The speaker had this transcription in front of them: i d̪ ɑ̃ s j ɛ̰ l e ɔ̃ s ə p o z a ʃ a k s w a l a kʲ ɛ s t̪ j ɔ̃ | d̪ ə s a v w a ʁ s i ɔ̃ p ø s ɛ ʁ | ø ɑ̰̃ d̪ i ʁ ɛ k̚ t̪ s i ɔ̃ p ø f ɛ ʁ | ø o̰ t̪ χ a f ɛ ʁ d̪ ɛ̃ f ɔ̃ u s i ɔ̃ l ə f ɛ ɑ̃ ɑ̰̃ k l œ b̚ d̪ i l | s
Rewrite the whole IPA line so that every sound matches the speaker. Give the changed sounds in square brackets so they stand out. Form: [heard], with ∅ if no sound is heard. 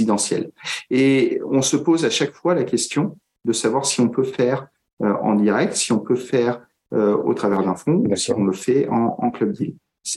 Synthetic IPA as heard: i d̪ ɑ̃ s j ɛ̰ l e ɔ̃ s ə p o z a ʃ a k [f] w a l a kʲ ɛ s t̪ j ɔ̃ | d̪ ə s a v w a ʁ s i ɔ̃ p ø [f] ɛ ʁ | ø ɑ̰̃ d̪ i ʁ ɛ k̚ t̪ s i ɔ̃ p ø f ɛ ʁ | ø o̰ t̪ χ a [v] ɛ ʁ d̪ ɛ̃ f ɔ̃ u s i ɔ̃ l ə f ɛ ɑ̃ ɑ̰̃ k l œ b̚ d̪ i l | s